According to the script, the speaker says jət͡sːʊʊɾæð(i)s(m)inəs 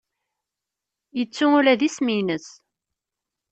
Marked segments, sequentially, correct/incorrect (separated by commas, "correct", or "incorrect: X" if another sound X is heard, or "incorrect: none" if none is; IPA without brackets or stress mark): correct, correct